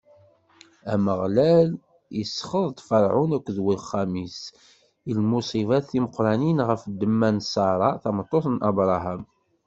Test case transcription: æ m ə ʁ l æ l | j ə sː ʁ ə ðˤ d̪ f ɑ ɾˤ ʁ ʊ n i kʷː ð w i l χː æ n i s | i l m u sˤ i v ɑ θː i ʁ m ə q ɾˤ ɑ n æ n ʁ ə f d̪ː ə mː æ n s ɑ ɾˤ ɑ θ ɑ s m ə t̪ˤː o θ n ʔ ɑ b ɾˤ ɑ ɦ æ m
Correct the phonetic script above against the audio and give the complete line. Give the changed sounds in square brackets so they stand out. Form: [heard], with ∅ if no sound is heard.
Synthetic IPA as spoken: æ m ə ʁ l æ l | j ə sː [χ] ə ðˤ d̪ f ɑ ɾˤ [ʕ] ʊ n [æ] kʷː ð w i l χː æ [m] i s | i l m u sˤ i v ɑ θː i [∅] m ə q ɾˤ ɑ n [i] n ʁ ə f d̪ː ə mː æ n s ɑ ɾˤ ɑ θ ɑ [∅] m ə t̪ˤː o θ n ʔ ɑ b ɾˤ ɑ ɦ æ m